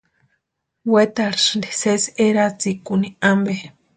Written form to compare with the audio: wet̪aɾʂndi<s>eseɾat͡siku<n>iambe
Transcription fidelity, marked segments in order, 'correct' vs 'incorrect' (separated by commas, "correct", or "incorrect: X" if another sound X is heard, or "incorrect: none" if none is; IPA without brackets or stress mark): correct, correct